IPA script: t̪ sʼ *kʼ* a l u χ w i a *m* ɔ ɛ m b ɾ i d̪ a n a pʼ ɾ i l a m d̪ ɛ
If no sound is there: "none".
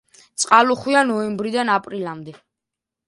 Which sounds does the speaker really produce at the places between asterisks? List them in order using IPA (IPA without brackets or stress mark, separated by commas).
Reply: qʼ, n